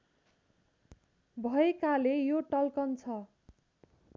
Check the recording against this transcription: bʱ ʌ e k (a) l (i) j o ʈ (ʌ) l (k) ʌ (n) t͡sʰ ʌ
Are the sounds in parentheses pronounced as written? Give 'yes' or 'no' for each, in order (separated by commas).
yes, no, yes, yes, yes